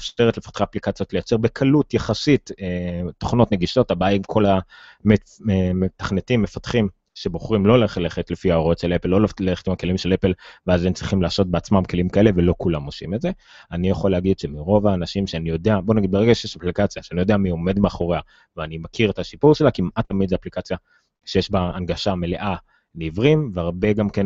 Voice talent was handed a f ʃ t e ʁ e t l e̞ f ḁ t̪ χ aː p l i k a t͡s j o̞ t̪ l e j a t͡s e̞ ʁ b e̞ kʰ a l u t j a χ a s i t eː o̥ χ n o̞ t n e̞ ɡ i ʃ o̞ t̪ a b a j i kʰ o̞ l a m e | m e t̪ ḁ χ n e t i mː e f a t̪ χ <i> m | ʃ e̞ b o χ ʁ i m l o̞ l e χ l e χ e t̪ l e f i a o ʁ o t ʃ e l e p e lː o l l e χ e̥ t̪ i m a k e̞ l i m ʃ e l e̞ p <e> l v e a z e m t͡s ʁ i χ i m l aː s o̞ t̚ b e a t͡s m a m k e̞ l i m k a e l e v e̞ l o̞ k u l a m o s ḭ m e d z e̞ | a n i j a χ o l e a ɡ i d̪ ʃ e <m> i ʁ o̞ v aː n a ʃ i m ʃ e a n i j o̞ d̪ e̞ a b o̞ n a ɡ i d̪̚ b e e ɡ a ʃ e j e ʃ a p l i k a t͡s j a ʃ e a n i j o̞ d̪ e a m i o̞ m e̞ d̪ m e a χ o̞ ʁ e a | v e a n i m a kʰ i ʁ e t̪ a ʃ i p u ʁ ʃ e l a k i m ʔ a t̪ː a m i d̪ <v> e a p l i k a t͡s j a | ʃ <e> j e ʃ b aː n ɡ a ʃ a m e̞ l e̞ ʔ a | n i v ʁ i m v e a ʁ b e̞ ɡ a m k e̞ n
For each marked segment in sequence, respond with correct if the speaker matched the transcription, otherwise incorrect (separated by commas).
correct, correct, correct, incorrect, correct